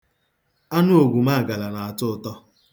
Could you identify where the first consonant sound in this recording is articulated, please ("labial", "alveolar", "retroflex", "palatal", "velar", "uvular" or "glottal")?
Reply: alveolar